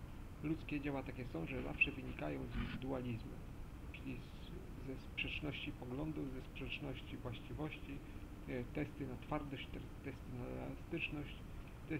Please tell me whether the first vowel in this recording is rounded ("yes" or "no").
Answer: yes